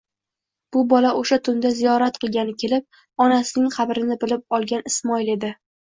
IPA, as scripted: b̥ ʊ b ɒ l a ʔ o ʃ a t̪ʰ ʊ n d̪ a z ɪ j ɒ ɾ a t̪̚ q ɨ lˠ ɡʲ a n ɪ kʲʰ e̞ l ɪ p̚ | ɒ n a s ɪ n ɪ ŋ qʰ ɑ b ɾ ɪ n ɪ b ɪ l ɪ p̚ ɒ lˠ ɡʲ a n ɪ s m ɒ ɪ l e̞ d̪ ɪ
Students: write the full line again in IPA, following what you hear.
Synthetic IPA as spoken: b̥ ʊ b ɒ l a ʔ o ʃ a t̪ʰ ʊ n d̪ a z i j ɒ ɾ a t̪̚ q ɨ lˠ ɡʲ a n ɪ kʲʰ e̞ l ɪ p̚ | ɒ n a s ɪ n ɪ ŋ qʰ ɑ b ɾ ɪ n ɪ b ɪ l ɪ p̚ ɒ lˠ ɡʲ a n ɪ s m ɒ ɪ l e̞ d̪ ɪ